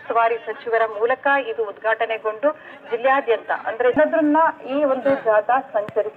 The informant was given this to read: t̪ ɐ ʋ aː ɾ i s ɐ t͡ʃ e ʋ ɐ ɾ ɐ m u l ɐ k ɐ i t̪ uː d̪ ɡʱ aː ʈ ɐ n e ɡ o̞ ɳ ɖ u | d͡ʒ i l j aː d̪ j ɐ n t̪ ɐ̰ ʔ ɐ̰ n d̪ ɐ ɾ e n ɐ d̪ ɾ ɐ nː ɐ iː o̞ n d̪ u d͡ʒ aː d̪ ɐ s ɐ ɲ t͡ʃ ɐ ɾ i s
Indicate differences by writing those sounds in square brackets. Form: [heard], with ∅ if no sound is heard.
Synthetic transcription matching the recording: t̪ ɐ ʋ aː ɾ i s ɐ t͡ʃ [i] ʋ ɐ ɾ ɐ m [uː] l ɐ k ɐ i [d̪] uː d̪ ɡʱ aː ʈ ɐ n e ɡ o̞ ɳ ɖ u | d͡ʒ i l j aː d̪ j ɐ n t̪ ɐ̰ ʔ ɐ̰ n d̪ ɐ ɾ e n ɐ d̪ ɾ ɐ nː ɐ iː o̞ n d̪ u d͡ʒ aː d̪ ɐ s ɐ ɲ t͡ʃ ɐ ɾ i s